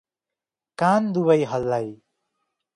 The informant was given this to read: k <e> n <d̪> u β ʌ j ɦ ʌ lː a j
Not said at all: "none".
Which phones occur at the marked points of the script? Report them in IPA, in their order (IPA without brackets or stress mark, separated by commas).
a, d̪